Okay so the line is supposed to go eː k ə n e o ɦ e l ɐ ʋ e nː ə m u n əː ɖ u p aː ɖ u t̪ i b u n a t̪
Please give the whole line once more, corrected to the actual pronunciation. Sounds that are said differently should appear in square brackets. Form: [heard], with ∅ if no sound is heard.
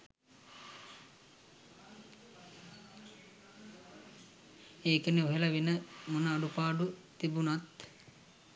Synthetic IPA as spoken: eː k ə n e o ɦ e l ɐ ʋ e [n] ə m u n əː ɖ u p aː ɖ u t̪ i b u n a t̪